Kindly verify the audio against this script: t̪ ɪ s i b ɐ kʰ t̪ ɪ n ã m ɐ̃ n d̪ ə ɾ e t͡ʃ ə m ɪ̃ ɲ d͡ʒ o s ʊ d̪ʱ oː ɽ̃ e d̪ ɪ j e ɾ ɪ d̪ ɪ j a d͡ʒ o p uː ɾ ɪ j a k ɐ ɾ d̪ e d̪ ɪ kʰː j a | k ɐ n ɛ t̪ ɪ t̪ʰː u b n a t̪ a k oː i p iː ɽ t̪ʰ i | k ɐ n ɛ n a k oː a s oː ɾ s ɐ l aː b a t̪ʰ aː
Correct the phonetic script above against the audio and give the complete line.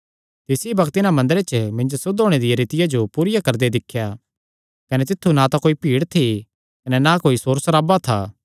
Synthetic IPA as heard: t̪ ɪ s i b ɐ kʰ t̪ ɪ n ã m ɐ̃ n d̪ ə ɾ e t͡ʃ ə m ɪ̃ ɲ d͡ʒ o s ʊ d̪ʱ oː ɽ̃ e d̪ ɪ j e ɾ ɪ t̪ ɪ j a d͡ʒ o p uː ɾ ɪ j a k ɐ ɾ d̪ e d̪ ɪ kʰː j a | k ɐ n ɛ t̪ ɪ t̪ʰː u n a t̪ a k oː i p iː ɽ t̪ʰ i | k ɐ n ɛ n a k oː i s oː ɾ s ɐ ɾ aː b a t̪ʰ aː

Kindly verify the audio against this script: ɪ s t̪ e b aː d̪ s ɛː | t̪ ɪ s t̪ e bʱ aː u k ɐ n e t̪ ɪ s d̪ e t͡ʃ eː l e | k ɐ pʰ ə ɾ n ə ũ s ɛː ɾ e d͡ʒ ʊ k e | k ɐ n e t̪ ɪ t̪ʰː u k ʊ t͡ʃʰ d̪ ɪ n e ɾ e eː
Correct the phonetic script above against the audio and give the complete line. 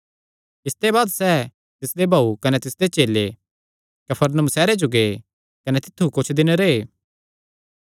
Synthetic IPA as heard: ɪ s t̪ e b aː d̪ s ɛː | t̪ ɪ s d̪ e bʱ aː u k ɐ n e t̪ ɪ s d̪ e t͡ʃ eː l e | k ɐ pʰ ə ɾ n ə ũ s ɛː ɾ e d͡ʒ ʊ ɡ e | k ɐ n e t̪ ɪ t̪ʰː u k ʊ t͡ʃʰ d̪ ɪ n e ɾ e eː

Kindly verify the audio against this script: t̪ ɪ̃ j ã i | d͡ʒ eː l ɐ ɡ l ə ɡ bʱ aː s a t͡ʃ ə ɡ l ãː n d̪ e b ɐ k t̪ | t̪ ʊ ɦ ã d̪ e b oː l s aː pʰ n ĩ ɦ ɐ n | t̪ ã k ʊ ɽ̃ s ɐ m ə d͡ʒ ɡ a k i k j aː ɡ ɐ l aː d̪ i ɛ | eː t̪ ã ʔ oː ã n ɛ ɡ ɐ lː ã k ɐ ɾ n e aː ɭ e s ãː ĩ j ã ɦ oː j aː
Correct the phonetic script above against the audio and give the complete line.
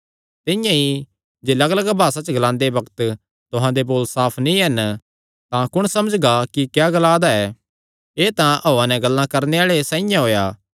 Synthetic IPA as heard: t̪ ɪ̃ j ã i | d͡ʒ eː l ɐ ɡ l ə ɡ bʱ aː s a t͡ʃ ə ɡ l ãː n d̪ e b ɐ k t̪ | t̪ ʊ ɦ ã d̪ e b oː l s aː pʰ n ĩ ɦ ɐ n | t̪ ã k ʊ ɽ̃ s ɐ m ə d͡ʒ ɡ a k i k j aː ɡ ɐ l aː d̪ a ɛ | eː t̪ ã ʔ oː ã n ɛ ɡ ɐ lː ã k ɐ ɾ n e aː ɭ e s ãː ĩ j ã ɦ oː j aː

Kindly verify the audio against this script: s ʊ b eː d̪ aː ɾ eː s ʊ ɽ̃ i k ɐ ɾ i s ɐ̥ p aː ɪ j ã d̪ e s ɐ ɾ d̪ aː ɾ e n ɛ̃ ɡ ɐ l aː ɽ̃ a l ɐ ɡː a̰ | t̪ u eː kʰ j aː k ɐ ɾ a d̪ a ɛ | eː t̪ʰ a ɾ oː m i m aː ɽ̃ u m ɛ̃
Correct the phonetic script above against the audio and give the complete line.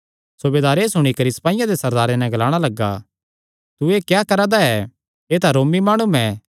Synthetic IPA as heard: s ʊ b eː d̪ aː ɾ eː s ʊ ɽ̃ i k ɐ ɾ i s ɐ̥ p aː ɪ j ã d̪ e s ɐ ɾ d̪ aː ɾ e n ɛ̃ ɡ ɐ l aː ɽ̃ a l ɐ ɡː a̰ | t̪ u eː k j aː k ɐ ɾ a d̪ a ɛ | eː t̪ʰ a ɾ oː m i m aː ɽ̃ u m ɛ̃

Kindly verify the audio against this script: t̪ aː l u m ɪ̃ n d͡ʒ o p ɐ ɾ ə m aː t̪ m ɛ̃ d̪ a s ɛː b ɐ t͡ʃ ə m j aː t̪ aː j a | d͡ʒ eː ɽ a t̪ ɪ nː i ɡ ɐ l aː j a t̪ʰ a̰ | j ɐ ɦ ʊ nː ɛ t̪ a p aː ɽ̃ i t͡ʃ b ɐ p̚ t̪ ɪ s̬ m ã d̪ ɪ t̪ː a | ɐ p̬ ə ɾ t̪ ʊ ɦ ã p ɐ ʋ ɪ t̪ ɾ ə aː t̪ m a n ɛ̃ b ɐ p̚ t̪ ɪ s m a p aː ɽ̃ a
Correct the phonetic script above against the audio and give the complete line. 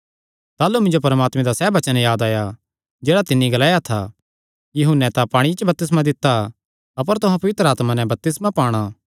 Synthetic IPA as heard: t̪ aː l u m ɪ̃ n d͡ʒ o p ɐ ɾ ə m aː t̪ m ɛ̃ d̪ a s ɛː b ɐ t͡ʃ ə n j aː d̪ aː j a | d͡ʒ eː ɽ a t̪ ɪ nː i ɡ ɐ l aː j a t̪ʰ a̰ | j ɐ ɦ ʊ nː ɛ t̪ a p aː ɽ̃ i t͡ʃ b ɐ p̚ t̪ ɪ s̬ m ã d̪ ɪ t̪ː a | ɐ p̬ ə ɾ t̪ ʊ ɦ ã p ɐ ʋ ɪ t̪ ɾ ə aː t̪ m a n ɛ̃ b ɐ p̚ t̪ ɪ s m a p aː ɽ̃ a

